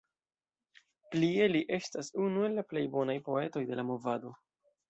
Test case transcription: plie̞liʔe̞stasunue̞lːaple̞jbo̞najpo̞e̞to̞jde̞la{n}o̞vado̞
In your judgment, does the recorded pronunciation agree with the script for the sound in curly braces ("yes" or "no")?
no